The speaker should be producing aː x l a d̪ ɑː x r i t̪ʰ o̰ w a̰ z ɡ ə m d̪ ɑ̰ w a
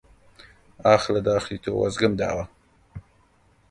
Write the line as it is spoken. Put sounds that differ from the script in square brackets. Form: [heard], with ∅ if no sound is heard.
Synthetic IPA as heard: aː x l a d̪ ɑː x [l] i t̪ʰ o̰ w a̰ z ɡ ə m d̪ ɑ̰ w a